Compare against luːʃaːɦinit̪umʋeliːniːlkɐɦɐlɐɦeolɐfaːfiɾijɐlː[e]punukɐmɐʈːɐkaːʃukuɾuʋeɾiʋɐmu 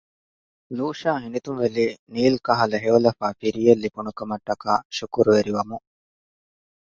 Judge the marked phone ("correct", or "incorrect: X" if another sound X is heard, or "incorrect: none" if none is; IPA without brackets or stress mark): incorrect: i